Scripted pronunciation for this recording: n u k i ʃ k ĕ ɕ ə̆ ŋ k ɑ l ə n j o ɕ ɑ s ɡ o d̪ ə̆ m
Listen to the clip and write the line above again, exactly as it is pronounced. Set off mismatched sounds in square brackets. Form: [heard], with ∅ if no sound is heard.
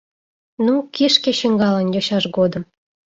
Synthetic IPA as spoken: n u k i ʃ k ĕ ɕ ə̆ ŋ [ɡ] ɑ l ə n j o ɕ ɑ [ʃ] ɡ o d̪ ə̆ m